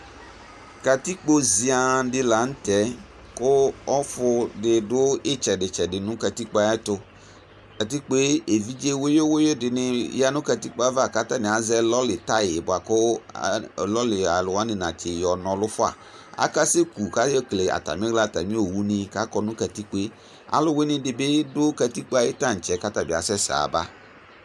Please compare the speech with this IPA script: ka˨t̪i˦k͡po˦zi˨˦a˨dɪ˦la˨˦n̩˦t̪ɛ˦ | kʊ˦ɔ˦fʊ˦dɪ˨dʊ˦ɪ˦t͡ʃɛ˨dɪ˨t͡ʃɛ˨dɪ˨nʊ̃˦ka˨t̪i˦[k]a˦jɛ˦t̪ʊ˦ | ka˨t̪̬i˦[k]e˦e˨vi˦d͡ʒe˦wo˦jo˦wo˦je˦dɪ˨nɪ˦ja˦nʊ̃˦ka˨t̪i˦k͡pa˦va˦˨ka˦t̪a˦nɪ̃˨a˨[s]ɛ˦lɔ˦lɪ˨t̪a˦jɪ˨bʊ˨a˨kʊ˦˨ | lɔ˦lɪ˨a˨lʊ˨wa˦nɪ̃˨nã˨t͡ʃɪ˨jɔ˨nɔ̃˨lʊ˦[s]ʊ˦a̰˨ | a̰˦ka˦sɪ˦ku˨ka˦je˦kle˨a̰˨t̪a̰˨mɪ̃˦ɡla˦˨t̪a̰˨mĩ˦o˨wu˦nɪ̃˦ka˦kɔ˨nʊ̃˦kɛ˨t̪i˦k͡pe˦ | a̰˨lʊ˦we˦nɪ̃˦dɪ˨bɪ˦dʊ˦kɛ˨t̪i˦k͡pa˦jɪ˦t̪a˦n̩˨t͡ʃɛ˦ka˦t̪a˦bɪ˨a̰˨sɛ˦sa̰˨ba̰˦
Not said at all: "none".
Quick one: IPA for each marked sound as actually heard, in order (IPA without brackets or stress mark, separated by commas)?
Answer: k͡p, k͡p, z, f